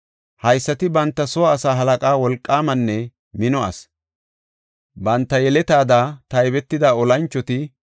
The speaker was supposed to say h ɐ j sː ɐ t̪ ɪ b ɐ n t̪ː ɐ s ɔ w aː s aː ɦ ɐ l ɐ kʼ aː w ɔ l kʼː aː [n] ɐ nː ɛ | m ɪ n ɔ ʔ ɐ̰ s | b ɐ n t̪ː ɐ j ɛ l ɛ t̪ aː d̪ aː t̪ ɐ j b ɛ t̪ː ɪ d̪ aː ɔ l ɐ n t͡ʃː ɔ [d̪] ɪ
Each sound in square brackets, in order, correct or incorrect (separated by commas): incorrect, incorrect